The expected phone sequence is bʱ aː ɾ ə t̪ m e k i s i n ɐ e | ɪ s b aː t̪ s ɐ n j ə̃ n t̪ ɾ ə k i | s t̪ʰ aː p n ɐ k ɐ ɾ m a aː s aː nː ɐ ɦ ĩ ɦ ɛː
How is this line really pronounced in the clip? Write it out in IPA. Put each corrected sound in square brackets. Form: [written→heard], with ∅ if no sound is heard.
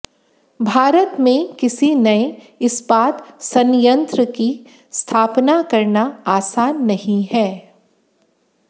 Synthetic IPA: bʱ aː ɾ ə t̪ m [e→ẽ] k [i→ɪ] s i n ɐ e | ɪ s b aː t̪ s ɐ n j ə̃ n t̪ ɾ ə k i | s t̪ʰ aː p n [ɐ→a] k ɐ ɾ [m→n] a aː s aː nː ɐ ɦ ĩ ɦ ɛː